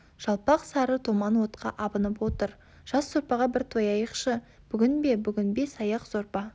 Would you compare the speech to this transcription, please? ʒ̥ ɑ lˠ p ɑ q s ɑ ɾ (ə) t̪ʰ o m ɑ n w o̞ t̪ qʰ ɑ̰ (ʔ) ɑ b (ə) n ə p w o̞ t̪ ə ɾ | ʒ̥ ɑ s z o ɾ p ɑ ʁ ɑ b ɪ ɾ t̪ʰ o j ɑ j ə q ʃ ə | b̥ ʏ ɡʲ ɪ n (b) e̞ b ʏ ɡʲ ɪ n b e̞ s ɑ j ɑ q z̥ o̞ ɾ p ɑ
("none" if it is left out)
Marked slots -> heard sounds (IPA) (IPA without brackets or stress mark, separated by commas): ə, ʔ, ə, b